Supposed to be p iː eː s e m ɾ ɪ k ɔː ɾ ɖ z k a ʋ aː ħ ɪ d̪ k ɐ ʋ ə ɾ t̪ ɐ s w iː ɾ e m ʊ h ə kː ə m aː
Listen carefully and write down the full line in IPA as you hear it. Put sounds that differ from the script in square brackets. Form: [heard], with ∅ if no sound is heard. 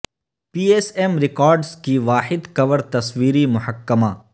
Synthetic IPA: p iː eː s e m ɾ ɪ k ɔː ɾ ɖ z k [i] ʋ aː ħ ɪ d̪ k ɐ ʋ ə ɾ t̪ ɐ s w iː ɾ [i] m ʊ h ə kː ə m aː

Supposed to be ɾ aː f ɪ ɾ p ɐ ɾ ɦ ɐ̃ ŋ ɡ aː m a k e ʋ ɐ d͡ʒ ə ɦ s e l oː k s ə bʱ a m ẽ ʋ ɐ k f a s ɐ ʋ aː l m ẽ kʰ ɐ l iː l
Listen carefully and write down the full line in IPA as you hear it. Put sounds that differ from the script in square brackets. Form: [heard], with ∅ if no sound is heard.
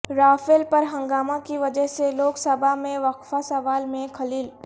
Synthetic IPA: ɾ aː f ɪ [l] p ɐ ɾ ɦ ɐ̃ ŋ ɡ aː m a k [i] ʋ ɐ d͡ʒ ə ɦ s e l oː k s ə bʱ a m ẽ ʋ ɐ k f a s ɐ ʋ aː l m ẽ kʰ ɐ l iː l

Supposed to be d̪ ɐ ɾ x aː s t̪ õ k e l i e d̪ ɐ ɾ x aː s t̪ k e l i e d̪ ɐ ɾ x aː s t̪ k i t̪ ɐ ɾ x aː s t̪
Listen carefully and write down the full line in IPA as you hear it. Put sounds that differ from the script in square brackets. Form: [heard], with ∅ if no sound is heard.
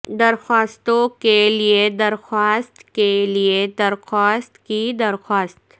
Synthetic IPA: d̪ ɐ ɾ x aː s t̪ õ k e l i e d̪ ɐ ɾ x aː s t̪ k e l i e d̪ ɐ ɾ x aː s t̪ k i [d̪] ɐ ɾ x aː s t̪

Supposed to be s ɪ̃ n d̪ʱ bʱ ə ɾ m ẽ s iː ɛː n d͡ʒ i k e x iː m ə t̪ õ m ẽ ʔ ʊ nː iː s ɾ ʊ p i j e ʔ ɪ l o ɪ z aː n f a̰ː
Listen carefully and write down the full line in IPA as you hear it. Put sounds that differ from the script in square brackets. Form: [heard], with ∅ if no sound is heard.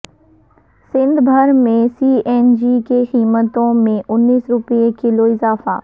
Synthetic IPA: s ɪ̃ n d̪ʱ bʱ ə ɾ m ẽ s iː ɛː n d͡ʒ i k e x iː m ə t̪ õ m ẽ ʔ ʊ nː iː s ɾ ʊ p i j e [k] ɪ l o ɪ z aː [∅] f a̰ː

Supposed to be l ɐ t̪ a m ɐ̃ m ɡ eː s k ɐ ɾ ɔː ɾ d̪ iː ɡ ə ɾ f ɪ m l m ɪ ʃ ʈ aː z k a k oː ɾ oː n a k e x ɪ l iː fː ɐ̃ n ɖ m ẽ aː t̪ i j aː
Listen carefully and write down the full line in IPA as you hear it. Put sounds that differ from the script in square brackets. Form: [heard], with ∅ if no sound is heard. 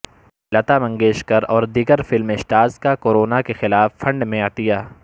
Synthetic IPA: l ɐ t̪ a m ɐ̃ [ŋ] ɡ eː [ʃ] k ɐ ɾ ɔː ɾ d̪ iː ɡ ə ɾ f ɪ [∅] l m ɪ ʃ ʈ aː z k a k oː ɾ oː n a k e x ɪ l [aː] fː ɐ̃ [ɳ] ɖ m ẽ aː t̪ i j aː

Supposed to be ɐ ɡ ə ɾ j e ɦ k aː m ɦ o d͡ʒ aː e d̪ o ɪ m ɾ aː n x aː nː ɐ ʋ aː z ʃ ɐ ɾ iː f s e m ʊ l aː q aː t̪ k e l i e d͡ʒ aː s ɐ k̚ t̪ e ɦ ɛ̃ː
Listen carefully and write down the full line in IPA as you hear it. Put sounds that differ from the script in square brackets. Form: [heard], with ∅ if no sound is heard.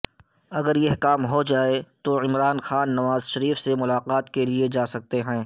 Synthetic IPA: ɐ ɡ ə ɾ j e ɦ k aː m ɦ o d͡ʒ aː e [t̪] o ɪ m ɾ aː n x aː nː ɐ ʋ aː z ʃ ɐ ɾ iː f s e m ʊ l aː q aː t̪ k e l i e d͡ʒ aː s ɐ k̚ t̪ e ɦ ɛ̃ː

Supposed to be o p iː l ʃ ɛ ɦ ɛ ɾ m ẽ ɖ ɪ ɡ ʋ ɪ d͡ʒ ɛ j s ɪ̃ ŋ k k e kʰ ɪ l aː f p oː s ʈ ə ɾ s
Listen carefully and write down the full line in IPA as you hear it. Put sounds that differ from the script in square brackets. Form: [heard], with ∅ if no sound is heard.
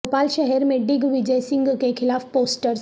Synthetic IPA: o p [aː] l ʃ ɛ ɦ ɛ ɾ m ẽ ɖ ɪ ɡ ʋ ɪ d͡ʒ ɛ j s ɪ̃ ŋ [ɡ] k e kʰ ɪ l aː f p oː s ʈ ə ɾ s

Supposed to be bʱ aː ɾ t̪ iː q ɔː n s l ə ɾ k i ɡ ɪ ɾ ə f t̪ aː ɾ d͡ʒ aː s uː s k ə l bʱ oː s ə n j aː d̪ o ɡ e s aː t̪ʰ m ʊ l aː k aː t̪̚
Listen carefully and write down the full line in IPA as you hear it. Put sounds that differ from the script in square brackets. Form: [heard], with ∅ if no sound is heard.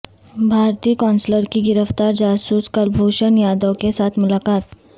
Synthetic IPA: bʱ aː ɾ t̪ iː [k] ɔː n s l ə ɾ k i ɡ ɪ ɾ ə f t̪ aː ɾ d͡ʒ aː s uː s k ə l bʱ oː [ʃ] ə n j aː d̪ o [k] e s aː t̪ʰ m ʊ l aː k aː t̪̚

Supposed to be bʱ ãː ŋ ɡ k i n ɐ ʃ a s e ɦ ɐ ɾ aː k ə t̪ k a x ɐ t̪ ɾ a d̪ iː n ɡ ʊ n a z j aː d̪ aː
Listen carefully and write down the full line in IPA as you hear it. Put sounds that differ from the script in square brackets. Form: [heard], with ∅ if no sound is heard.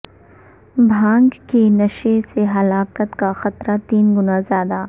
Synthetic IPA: bʱ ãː ŋ ɡ k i n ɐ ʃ [e] s e ɦ ɐ [l] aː k ə t̪ k a x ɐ t̪ ɾ a [t̪] iː n ɡ ʊ n a z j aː d̪ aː

